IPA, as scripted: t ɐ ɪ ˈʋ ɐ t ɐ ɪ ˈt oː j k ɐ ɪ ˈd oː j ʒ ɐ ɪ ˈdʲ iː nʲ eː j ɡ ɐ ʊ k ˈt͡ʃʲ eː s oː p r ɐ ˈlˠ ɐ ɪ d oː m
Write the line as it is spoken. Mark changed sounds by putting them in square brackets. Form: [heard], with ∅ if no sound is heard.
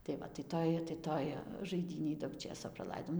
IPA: t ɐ ɪ ˈʋ ɐ t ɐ ɪ ˈt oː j [t] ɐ ɪ [ˈt] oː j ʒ ɐ ɪ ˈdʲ iː nʲ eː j [d] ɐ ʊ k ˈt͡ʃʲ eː s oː p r ɐ ˈlˠ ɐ ɪ d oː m

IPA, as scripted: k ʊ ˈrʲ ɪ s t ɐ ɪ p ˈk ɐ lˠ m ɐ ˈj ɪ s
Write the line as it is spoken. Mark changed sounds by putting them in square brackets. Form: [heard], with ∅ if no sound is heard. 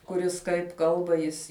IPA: k ʊ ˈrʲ ɪ s [k] ɐ ɪ p ˈk ɐ lˠ [b] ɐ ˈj ɪ s

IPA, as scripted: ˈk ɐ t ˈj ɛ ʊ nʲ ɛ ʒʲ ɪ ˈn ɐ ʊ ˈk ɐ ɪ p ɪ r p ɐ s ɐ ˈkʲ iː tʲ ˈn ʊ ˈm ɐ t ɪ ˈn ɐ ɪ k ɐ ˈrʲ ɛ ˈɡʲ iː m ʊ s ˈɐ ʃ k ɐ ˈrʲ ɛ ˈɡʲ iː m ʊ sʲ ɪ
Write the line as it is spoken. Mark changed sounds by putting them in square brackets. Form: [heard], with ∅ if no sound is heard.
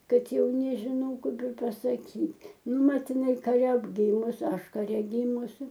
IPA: ˈk ɐ t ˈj ɛ ʊ nʲ ɛ ʒʲ ɪ ˈn ɐ ʊ ˈk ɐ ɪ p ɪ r p ɐ s ɐ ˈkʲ iː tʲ ˈn ʊ ˈm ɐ t ɪ ˈn ɐ ɪ k ɐ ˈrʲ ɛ ˈɡʲ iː m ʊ s ˈɐ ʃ k ɐ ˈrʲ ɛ ˈɡʲ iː m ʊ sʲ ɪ

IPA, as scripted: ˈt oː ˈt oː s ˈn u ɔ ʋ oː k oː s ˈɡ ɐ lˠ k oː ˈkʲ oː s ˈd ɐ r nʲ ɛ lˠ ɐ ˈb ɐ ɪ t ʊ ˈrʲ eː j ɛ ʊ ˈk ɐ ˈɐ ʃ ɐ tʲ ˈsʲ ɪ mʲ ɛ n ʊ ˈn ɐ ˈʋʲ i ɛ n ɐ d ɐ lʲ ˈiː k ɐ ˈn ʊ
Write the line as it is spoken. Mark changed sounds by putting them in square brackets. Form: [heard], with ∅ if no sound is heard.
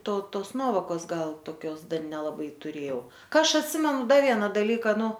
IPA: ˈt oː ˈt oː s ˈn u ɔ ʋ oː k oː s ˈɡ ɐ lˠ [t] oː ˈkʲ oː s ˈd ɐ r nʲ ɛ lˠ ɐ ˈb ɐ ɪ t ʊ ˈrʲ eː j ɛ ʊ ˈk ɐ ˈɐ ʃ ɐ tʲ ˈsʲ ɪ mʲ ɛ n ʊ [ˈd] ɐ ˈʋʲ i ɛ n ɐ d ɐ lʲ ˈiː k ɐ ˈn ʊ

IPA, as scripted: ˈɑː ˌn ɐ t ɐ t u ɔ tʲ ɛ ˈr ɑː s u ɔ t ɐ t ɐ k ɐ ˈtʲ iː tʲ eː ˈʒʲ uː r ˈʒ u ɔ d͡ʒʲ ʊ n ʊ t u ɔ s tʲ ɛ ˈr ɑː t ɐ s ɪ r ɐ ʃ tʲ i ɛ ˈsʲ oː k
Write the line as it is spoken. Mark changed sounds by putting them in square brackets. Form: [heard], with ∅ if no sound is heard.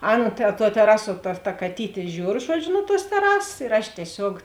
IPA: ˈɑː ˌn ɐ t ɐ t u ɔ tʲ ɛ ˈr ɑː s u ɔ t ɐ t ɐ k ɐ ˈtʲ iː tʲ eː ˈʒʲ uː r ˈʒ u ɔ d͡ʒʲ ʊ n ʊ t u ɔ s tʲ ɛ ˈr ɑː [s] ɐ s ɪ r ɐ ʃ tʲ i ɛ ˈsʲ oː k

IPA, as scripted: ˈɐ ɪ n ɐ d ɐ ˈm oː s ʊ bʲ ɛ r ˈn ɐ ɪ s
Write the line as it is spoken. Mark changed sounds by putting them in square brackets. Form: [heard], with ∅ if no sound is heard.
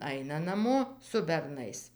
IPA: ˈɐ ɪ n ɐ [n] ɐ ˈm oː s ʊ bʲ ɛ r ˈn ɐ ɪ s

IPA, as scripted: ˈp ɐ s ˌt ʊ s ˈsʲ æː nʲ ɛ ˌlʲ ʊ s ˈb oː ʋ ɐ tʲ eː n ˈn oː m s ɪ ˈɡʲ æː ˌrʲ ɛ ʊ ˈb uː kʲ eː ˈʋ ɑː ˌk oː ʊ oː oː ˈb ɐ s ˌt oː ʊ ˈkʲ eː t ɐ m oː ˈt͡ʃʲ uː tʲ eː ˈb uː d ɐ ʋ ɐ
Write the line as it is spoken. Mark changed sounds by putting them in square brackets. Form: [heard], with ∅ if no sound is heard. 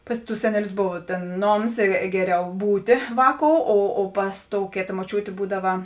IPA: ˈp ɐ s ˌt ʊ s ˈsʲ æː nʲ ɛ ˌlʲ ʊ s ˈb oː ʋ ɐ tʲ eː n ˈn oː m s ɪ ˈɡʲ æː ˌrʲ ɛ ʊ ˈb uː [tʲ] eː ˈʋ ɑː ˌk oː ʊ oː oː [ˈp] ɐ s ˌt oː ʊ ˈkʲ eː t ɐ m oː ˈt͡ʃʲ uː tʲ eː ˈb uː d ɐ ʋ ɐ

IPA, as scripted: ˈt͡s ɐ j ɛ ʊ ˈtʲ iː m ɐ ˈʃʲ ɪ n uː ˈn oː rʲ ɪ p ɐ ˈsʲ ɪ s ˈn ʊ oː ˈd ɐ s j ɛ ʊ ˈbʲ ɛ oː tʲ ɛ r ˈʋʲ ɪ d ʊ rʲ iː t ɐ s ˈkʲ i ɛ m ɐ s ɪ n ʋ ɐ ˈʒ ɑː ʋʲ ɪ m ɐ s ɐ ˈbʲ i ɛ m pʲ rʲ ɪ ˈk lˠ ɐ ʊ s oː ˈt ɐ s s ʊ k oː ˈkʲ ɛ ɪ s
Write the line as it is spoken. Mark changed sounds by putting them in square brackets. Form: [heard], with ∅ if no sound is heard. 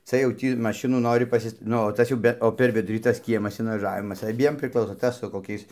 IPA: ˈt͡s ɐ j ɛ ʊ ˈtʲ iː m ɐ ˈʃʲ ɪ n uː ˈn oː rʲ ɪ p ɐ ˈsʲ ɪ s ˈn ʊ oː [ˈt] ɐ s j ɛ ʊ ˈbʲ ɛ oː [pʲ] ɛ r ˈʋʲ ɪ d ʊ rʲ iː t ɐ s ˈkʲ i ɛ m ɐ s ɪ n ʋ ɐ ˈʒ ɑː ʋʲ ɪ m ɐ s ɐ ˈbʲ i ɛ m pʲ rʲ ɪ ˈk lˠ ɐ ʊ s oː ˈt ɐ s s ʊ k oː ˈkʲ ɛ ɪ s

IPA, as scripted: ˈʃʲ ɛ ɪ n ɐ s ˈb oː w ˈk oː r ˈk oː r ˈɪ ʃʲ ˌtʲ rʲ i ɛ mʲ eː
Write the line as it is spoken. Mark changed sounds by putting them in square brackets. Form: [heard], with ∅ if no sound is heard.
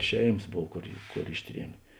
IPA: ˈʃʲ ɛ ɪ [m] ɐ s ˈb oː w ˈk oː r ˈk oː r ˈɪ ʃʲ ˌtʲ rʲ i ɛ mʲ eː

